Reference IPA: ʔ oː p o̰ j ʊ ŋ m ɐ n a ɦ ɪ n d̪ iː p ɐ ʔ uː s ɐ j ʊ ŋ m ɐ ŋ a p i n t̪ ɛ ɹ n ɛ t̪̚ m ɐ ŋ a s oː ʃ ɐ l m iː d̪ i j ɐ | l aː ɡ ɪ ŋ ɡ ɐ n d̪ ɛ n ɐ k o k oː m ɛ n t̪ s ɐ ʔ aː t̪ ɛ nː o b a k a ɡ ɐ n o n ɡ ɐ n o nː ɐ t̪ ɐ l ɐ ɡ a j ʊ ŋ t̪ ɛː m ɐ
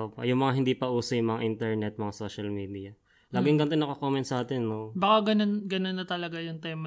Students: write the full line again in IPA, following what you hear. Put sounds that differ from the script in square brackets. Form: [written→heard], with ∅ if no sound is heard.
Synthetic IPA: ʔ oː p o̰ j ʊ ŋ m ɐ [n→ŋ] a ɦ ɪ n d̪ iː p ɐ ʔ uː s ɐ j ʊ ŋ m ɐ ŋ a [p→ʔ] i n t̪ ɛ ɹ n ɛ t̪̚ m ɐ ŋ a s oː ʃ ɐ l m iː d̪ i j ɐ | l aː ɡ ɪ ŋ ɡ ɐ n [d̪→t̪] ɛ n ɐ k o k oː m ɛ n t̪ s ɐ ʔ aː t̪ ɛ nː o b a k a ɡ ɐ n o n ɡ ɐ n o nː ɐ t̪ ɐ l ɐ ɡ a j ʊ ŋ t̪ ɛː m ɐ